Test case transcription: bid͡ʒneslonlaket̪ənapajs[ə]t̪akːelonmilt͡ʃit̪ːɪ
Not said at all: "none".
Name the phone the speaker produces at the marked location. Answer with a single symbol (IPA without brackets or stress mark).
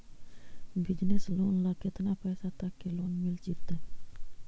a